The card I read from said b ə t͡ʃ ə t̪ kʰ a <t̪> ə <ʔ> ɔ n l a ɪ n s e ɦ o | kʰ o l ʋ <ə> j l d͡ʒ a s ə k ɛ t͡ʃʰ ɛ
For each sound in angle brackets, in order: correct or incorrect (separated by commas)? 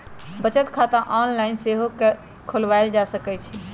correct, correct, incorrect